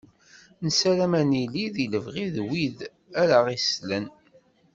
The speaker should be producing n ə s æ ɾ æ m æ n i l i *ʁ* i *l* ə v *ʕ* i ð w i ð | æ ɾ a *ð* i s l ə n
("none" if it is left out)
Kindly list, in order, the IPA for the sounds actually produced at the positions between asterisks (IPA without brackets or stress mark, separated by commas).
ð, l, ʁ, ʁ